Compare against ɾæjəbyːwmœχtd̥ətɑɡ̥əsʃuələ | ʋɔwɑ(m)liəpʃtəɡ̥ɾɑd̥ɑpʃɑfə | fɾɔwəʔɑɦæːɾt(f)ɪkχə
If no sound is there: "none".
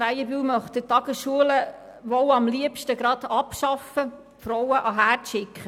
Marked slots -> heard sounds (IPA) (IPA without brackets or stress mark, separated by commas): m, ʃ